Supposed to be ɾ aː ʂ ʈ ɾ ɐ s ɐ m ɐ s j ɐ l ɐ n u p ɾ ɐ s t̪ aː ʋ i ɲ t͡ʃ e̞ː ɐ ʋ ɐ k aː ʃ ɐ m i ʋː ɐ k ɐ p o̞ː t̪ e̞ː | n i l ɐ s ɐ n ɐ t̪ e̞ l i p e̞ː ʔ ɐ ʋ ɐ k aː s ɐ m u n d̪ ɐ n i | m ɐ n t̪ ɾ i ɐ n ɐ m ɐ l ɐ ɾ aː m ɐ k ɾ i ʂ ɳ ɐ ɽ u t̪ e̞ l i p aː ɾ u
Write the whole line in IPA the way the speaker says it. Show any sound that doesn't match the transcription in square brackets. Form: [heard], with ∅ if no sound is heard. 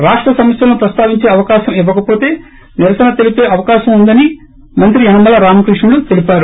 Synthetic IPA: ɾ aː ʂ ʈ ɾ ɐ s ɐ m ɐ s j ɐ l ɐ n u p ɾ ɐ s t̪ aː ʋ i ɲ t͡ʃ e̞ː ɐ ʋ ɐ k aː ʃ ɐ m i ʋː ɐ k ɐ p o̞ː t̪ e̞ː | n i [ɾ] ɐ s ɐ n ɐ t̪ e̞ l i p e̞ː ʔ ɐ ʋ ɐ k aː [ʃ] ɐ m u n d̪ ɐ n i | m ɐ n t̪ ɾ i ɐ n ɐ m ɐ l ɐ ɾ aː m ɐ k ɾ i ʂ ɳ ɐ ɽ u t̪ e̞ l i p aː ɾ u